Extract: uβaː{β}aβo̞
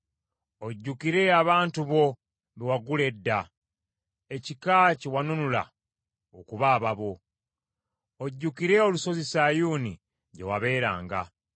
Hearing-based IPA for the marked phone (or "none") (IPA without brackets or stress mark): β